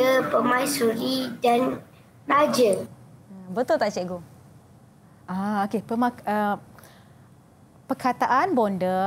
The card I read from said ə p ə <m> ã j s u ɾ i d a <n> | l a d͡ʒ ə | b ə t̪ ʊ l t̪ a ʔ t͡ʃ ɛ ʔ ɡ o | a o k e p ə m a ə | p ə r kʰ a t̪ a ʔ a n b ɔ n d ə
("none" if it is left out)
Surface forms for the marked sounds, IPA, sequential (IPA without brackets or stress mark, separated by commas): m, n